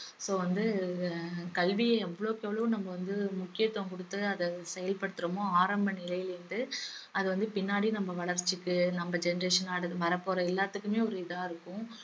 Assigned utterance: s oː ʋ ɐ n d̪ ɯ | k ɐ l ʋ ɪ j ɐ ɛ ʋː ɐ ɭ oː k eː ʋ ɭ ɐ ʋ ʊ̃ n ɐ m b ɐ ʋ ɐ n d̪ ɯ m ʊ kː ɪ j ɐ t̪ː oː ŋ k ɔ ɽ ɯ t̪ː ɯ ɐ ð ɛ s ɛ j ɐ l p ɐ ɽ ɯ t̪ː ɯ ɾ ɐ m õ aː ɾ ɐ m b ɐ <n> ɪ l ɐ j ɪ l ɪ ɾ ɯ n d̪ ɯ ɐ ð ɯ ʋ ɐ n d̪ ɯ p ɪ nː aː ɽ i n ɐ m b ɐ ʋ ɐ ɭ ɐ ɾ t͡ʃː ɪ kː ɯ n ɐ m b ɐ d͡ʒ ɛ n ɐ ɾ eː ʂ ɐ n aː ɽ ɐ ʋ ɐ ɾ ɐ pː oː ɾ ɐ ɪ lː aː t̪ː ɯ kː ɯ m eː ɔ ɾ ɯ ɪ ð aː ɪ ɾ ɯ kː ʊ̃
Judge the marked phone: correct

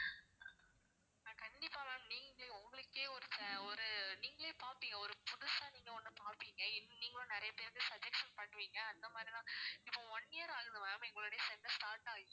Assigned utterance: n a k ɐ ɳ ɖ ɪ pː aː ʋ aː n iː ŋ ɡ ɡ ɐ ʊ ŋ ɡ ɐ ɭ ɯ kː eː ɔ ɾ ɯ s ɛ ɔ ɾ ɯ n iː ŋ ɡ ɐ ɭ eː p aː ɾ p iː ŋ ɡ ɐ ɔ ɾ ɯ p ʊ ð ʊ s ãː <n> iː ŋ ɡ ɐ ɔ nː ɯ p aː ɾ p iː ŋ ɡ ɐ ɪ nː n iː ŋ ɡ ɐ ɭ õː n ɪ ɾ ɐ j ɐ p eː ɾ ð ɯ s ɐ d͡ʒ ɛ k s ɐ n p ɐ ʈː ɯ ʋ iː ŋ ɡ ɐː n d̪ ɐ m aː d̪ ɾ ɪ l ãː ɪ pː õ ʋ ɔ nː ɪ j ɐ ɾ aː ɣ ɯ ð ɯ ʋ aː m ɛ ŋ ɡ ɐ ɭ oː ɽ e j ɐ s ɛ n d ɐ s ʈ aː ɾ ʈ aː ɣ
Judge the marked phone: correct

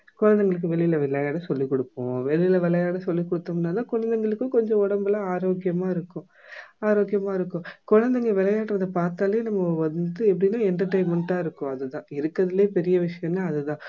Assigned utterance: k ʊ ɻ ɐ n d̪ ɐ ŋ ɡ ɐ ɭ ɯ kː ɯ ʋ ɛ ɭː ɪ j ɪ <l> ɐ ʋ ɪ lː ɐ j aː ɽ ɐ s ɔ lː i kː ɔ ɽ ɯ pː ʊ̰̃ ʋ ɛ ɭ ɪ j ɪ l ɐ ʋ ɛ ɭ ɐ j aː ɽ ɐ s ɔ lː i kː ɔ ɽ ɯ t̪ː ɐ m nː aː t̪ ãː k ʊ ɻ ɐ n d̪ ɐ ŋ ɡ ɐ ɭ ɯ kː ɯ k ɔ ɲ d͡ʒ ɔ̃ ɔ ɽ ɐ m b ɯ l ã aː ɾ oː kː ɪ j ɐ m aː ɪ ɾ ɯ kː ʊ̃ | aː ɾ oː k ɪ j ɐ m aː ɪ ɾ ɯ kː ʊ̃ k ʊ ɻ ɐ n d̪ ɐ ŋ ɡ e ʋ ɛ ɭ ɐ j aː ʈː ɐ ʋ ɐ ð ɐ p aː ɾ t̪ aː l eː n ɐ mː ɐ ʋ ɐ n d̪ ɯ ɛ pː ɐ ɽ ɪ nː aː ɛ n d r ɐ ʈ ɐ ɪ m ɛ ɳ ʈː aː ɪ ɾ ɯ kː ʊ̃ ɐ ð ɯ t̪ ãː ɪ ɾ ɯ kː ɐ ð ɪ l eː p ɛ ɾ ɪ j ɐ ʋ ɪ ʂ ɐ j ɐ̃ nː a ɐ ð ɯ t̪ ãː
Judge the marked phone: correct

